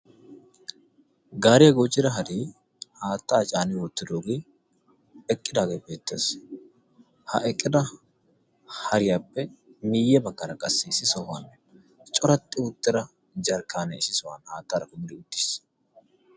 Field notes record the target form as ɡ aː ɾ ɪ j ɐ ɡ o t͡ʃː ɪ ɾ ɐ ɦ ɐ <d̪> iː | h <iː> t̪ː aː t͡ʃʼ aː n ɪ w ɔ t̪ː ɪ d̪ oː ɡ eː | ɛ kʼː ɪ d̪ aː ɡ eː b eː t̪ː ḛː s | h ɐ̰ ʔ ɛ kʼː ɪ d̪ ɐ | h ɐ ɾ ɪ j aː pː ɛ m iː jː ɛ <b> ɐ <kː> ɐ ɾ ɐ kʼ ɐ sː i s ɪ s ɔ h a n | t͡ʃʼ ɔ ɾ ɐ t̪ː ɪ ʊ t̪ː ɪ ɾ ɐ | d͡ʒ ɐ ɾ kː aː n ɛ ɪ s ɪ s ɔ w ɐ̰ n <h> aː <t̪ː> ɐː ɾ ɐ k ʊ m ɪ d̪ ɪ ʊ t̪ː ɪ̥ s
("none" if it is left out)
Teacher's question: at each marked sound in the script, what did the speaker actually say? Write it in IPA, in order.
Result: d̪, aː, b, kː, h, t̪ː

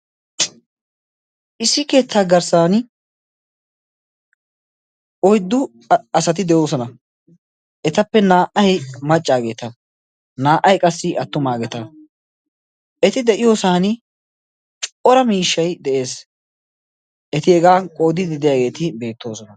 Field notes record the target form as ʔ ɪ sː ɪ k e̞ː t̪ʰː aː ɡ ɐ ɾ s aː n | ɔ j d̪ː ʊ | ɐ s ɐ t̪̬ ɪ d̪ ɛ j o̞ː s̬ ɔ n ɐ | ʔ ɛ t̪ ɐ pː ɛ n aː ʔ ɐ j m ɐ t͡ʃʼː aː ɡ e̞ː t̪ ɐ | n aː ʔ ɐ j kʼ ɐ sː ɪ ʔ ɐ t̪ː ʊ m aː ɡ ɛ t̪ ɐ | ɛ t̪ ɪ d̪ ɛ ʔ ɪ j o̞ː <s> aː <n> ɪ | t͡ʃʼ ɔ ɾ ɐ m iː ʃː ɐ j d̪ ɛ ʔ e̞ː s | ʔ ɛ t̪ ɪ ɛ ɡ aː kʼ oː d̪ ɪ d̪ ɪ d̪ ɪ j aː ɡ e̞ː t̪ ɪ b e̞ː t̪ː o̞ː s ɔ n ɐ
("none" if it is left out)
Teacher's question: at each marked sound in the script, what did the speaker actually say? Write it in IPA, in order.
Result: s, n

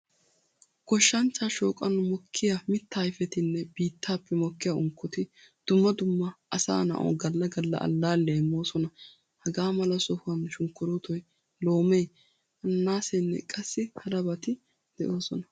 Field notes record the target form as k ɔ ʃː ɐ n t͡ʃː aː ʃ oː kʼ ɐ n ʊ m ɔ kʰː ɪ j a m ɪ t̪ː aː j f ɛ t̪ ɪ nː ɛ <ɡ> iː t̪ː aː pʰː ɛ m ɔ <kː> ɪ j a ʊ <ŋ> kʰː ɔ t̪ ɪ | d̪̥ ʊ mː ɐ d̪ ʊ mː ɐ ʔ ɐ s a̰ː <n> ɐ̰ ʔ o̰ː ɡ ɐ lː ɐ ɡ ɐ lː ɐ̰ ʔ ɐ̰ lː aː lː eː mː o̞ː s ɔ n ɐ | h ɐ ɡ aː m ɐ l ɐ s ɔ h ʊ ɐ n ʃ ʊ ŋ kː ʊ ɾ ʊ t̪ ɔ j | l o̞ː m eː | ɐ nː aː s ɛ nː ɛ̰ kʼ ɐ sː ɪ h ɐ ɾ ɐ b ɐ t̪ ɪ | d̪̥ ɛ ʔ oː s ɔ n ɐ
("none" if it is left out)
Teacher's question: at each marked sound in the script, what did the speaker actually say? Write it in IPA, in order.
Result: b, kː, ŋ, n

